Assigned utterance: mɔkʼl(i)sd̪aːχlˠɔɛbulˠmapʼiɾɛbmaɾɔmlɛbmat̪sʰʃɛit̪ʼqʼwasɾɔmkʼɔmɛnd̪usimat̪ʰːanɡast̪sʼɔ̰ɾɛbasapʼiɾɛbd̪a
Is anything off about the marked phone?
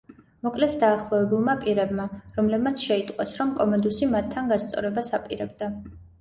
yes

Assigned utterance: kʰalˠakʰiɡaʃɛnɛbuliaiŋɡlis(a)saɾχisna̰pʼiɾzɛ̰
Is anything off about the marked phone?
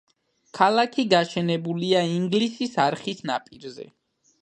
yes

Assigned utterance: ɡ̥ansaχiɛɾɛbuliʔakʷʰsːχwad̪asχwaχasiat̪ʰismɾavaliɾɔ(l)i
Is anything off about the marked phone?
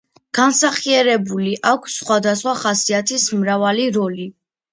no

